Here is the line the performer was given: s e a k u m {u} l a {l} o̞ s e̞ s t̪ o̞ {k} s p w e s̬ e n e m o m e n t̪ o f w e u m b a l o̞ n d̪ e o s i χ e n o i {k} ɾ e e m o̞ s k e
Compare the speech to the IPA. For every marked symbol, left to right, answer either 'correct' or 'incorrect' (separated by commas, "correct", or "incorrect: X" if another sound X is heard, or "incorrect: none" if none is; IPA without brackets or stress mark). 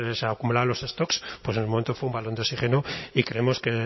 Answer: correct, correct, correct, correct